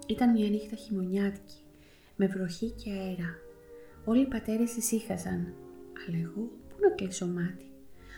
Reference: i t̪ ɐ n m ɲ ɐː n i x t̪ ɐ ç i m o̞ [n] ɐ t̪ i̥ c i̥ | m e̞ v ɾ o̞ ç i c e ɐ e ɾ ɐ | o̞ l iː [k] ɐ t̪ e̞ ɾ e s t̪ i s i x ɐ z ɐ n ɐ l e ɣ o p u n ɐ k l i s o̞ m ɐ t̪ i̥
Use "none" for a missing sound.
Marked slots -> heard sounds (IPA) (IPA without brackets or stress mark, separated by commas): ɲ, p